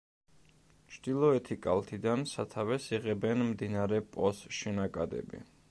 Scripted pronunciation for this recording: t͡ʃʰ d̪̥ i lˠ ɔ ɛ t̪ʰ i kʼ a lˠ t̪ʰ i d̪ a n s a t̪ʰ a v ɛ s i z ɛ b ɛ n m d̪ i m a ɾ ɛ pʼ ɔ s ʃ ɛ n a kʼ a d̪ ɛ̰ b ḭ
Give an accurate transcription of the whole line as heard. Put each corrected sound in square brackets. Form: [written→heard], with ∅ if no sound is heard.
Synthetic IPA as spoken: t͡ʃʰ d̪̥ i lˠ ɔ ɛ t̪ʰ i kʼ a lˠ t̪ʰ i d̪ a n s a t̪ʰ a v ɛ s i [z→ʁ] ɛ b ɛ n m d̪ i [m→n] a ɾ ɛ pʼ ɔ s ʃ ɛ n a kʼ a d̪ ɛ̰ b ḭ